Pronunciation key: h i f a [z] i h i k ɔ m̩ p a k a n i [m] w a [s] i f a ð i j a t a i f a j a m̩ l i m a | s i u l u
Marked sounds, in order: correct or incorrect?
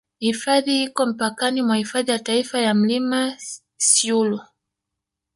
incorrect: ð, correct, incorrect: h

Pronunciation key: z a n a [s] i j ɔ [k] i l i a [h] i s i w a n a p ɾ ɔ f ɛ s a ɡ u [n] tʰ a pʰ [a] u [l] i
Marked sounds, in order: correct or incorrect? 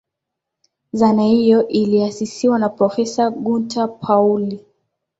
incorrect: h, incorrect: ʔ, incorrect: s, correct, correct, correct

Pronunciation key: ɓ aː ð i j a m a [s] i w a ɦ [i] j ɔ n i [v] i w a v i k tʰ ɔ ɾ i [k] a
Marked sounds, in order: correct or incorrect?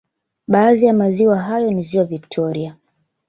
incorrect: z, incorrect: a, incorrect: z, incorrect: none

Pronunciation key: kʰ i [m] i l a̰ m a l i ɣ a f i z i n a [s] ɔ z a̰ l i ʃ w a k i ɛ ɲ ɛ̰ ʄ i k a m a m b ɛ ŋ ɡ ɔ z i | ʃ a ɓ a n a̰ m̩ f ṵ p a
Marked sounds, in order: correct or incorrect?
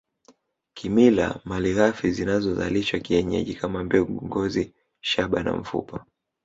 correct, incorrect: z

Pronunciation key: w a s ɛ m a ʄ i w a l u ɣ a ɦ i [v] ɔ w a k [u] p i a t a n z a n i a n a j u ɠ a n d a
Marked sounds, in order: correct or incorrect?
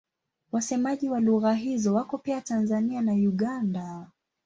incorrect: z, incorrect: ɔ

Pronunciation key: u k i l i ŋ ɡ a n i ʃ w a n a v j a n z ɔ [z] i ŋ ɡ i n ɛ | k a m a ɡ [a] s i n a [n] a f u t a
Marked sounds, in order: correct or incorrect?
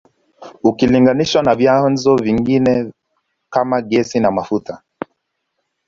incorrect: v, incorrect: ɛ, incorrect: m

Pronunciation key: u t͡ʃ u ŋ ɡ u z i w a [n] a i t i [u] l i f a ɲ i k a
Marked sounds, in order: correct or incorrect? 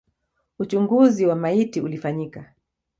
incorrect: m, correct

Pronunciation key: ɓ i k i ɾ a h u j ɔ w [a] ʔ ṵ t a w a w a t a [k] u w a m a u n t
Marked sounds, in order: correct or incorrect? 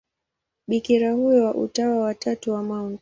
correct, incorrect: t

